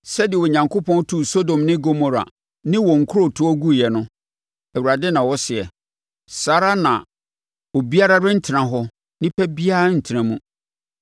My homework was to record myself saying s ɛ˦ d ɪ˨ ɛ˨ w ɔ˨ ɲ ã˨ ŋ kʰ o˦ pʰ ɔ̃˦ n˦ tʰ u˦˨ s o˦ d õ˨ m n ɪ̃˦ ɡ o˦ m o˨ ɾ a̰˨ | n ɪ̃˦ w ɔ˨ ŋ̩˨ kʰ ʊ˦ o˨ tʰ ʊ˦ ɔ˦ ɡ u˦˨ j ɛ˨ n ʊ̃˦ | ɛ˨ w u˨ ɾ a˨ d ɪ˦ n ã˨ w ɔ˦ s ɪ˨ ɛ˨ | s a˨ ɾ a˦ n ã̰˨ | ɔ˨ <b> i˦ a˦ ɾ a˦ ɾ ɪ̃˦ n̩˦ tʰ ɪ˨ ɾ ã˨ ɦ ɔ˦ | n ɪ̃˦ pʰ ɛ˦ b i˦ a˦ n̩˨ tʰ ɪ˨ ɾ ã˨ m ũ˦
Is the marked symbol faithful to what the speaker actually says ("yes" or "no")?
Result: yes